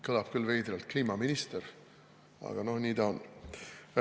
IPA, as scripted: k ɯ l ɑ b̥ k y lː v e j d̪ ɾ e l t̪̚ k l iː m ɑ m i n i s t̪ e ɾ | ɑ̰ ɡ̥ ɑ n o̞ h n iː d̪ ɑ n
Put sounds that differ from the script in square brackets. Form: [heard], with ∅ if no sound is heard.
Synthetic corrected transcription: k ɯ l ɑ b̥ k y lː v e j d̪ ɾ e l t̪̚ k l iː m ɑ m i n i s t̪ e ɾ | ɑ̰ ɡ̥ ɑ n o̞ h n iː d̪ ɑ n